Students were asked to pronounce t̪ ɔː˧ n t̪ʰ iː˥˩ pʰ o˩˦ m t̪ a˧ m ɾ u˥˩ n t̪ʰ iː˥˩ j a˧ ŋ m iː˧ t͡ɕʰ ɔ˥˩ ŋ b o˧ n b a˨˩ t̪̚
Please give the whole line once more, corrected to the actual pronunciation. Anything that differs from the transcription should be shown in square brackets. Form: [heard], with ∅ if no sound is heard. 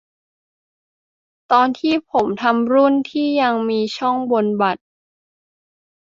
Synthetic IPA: t̪ ɔː˧ n t̪ʰ iː˥˩ pʰ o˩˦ m [t̪ʰ] a˧ m ɾ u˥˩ n t̪ʰ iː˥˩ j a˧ ŋ m iː˧ t͡ɕʰ ɔ˥˩ ŋ b o˧ n b a˨˩ t̪̚

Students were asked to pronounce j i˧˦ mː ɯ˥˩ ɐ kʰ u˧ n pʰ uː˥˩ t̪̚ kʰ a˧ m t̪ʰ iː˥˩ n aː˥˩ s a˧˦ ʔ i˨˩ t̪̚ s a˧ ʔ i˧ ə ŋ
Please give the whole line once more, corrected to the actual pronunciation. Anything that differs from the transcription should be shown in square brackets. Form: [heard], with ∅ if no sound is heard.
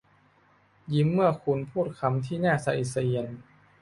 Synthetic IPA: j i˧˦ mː ɯ˥˩ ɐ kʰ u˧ n pʰ uː˥˩ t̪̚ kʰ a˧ m t̪ʰ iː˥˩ n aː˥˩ s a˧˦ ʔ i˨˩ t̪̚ s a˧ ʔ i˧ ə [n]

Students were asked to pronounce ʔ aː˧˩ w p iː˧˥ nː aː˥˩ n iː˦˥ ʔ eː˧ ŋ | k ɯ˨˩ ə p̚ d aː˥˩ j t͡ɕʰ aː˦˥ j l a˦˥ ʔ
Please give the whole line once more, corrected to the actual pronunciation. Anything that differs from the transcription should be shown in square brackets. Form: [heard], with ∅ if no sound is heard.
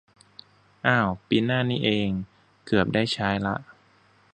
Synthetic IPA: ʔ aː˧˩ w p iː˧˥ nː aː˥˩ n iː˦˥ ʔ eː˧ ŋ | k ɯ˨˩ ə p̚ d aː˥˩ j t͡ɕʰ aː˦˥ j l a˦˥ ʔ

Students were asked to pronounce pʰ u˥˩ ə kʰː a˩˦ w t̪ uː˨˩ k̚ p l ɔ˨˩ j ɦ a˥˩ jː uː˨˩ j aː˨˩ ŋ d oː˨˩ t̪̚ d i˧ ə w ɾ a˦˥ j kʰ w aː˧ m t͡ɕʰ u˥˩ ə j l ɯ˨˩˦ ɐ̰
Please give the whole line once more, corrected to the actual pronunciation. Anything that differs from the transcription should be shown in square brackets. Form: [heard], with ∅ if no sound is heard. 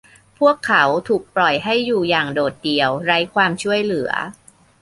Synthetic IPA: pʰ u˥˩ ə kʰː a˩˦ w [t̪ʰ] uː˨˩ k̚ p l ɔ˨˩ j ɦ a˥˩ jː uː˨˩ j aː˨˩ ŋ d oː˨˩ t̪̚ d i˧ ə w ɾ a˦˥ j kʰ w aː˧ m t͡ɕʰ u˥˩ ə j l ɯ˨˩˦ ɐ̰

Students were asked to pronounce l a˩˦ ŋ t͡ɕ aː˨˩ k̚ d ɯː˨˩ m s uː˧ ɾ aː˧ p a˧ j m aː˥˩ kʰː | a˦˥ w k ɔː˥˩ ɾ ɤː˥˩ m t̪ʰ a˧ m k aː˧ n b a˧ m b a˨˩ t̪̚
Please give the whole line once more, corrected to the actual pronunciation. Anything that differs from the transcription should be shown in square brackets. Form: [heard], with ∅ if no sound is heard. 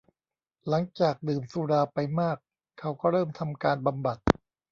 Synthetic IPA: l a˩˦ ŋ t͡ɕ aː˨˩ k̚ d ɯː˨˩ m s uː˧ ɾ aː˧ p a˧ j m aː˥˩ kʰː | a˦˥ w k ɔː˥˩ ɾ ɤː˥˩ m t̪ʰ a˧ m k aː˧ n b a˧ m b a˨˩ t̪̚

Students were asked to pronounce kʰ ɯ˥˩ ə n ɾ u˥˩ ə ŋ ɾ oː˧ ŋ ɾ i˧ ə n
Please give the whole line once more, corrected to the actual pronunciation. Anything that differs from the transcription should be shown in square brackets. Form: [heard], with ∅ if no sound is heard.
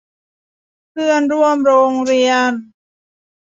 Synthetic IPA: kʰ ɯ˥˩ ə n ɾ u˥˩ ə [m] ɾ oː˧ ŋ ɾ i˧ ə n

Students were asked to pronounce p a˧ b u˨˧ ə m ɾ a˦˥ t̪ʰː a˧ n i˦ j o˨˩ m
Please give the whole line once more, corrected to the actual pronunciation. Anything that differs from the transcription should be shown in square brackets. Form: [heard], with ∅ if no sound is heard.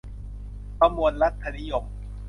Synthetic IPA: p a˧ [m] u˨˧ ə [n] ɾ a˦˥ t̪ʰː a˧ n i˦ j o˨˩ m

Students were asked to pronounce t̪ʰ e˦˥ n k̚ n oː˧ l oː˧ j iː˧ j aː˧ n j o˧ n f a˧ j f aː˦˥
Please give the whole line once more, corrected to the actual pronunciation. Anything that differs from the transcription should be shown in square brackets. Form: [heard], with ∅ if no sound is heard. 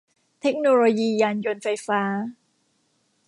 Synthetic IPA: t̪ʰ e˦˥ [∅] k̚ n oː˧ l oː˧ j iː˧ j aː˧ n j o˧ n f a˧ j f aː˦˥

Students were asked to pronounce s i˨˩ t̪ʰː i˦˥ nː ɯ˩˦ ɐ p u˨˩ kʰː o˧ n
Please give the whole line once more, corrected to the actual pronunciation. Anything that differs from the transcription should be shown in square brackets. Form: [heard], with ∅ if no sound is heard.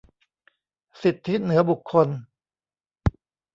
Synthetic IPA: s i˨˩ t̪ʰː i˦˥ [n] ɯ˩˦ ɐ [b] u˨˩ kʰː o˧ n

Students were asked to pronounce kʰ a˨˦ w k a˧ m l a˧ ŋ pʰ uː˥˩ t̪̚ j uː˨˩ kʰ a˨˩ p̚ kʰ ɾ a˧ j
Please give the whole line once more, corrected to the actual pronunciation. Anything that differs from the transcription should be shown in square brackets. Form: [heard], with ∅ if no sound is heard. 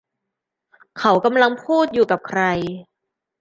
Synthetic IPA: kʰ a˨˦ w k a˧ m l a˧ ŋ pʰ uː˥˩ t̪̚ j uː˨˩ [k] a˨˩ p̚ kʰ ɾ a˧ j

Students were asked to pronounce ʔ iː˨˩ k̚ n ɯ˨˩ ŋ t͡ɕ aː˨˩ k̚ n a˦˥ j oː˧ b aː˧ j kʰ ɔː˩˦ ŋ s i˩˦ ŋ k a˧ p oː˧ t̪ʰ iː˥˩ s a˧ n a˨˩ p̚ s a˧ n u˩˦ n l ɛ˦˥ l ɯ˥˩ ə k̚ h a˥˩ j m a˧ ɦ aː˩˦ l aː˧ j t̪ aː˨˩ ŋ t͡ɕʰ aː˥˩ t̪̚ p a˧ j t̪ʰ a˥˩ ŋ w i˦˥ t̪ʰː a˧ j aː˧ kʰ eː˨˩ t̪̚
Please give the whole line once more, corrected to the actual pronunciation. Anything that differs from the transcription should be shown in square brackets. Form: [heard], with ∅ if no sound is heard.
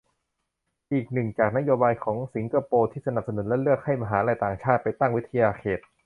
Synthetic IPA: ʔ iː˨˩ k̚ n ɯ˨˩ ŋ t͡ɕ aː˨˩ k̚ n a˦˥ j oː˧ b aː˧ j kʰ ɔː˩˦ ŋ s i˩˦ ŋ k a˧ p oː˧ t̪ʰ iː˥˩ s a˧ n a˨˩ p̚ s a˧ n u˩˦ n l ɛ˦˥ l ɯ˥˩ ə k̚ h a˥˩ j m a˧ ɦ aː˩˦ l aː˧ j t̪ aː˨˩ ŋ t͡ɕʰ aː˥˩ t̪̚ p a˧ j [t̪] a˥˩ ŋ w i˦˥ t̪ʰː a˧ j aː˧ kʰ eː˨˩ t̪̚

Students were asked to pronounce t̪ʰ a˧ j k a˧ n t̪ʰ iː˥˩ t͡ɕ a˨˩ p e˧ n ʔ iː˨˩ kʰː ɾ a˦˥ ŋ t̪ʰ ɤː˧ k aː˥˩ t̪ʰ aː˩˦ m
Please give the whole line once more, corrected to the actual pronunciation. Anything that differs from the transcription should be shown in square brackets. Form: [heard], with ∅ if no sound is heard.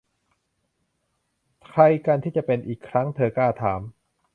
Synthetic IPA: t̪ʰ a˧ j k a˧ n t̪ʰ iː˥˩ t͡ɕ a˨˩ p e˧ n ʔ iː˨˩ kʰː ɾ a˦˥ ŋ t̪ʰ ɤː˧ k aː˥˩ t̪ʰ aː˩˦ m

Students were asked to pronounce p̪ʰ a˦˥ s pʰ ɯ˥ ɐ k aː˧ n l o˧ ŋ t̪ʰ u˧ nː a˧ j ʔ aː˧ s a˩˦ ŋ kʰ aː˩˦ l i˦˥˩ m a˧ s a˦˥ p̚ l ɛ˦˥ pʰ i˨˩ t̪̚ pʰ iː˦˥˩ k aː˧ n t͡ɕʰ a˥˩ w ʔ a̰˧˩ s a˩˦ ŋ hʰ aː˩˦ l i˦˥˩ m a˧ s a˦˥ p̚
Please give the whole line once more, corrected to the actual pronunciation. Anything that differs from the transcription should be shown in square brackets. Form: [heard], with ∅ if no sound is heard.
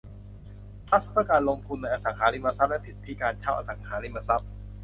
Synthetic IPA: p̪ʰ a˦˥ s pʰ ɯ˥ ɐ k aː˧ n l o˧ ŋ t̪ʰ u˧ nː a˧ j ʔ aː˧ s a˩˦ ŋ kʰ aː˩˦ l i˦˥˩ m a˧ s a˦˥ p̚ l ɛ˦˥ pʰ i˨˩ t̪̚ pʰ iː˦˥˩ k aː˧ n t͡ɕʰ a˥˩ w ʔ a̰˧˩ s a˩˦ ŋ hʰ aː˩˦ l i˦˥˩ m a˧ s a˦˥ p̚

